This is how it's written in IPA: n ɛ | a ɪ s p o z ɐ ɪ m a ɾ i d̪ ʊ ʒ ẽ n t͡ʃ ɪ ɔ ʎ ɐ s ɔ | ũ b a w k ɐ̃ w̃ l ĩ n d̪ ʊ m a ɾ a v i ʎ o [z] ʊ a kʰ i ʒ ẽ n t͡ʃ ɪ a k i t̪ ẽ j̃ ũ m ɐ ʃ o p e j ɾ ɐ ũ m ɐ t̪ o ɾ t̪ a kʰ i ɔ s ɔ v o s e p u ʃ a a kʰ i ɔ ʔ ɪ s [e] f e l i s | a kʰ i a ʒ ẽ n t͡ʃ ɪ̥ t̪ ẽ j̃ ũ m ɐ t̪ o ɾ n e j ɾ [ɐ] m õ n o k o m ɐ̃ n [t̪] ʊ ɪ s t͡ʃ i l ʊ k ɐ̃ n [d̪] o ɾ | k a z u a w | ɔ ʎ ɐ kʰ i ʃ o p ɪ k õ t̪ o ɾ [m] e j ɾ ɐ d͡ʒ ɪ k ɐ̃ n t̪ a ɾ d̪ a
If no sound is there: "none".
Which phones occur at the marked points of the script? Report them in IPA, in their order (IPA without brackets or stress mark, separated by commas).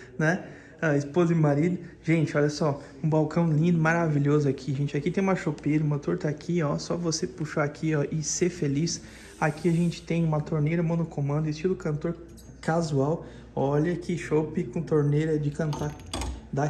z, e, ɐ, d̪, t̪, n